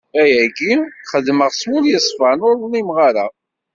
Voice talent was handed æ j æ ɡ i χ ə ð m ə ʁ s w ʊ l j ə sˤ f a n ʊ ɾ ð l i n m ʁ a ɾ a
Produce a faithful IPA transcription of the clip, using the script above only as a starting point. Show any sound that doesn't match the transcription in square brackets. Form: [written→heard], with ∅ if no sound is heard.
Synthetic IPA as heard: æ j æ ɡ i χ ə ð m ə ʁ s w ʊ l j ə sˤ f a n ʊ ɾ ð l i [n→∅] m ʁ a ɾ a